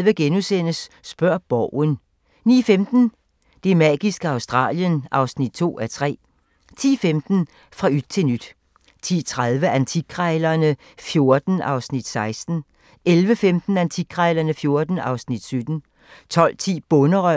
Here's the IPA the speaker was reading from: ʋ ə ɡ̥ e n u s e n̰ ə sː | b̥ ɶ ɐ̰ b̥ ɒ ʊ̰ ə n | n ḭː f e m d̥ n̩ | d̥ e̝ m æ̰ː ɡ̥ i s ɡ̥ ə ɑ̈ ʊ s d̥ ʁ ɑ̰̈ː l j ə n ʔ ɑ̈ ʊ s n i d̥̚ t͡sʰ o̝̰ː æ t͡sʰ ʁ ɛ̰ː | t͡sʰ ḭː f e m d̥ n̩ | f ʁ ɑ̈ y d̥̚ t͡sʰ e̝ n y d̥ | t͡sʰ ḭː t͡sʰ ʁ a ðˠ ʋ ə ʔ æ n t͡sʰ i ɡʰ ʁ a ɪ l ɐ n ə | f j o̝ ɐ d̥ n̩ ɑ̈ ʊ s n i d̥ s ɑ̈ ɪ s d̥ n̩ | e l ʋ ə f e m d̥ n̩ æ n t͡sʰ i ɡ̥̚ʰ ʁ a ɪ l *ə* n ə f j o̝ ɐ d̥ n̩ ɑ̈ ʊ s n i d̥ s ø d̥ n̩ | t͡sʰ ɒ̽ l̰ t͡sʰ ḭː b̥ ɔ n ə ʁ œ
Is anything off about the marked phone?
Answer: yes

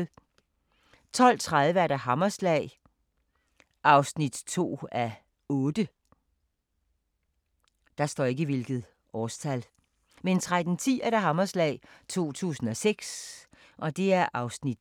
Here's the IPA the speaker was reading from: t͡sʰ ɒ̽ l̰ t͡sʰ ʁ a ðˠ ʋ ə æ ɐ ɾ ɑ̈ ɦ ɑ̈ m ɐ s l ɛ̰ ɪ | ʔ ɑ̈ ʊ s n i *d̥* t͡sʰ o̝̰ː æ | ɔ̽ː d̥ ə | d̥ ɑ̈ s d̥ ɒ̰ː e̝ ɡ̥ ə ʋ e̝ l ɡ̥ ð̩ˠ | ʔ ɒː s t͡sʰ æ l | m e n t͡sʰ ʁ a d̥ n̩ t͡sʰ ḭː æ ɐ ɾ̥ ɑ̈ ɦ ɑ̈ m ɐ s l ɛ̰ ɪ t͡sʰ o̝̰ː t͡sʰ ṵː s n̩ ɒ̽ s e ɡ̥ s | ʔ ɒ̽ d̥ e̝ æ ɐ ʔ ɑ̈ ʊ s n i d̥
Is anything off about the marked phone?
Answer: no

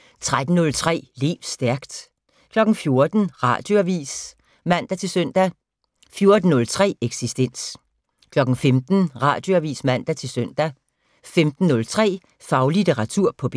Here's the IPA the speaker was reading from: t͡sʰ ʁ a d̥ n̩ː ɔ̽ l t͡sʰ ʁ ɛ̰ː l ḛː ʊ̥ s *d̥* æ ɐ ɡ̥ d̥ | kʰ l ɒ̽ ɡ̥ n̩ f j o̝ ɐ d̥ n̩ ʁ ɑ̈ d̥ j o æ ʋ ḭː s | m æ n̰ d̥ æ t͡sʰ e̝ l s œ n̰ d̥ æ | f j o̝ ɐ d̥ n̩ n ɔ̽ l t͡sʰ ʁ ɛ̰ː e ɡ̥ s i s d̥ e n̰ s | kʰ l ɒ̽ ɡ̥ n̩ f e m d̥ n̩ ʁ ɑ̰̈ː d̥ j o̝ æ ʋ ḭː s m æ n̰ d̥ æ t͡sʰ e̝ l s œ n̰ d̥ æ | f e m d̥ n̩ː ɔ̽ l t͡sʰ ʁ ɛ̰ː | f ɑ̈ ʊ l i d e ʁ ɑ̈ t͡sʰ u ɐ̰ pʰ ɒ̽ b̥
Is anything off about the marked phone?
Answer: no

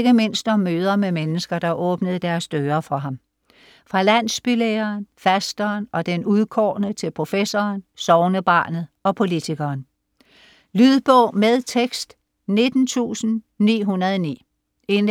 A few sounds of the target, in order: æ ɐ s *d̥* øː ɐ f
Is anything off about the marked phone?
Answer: no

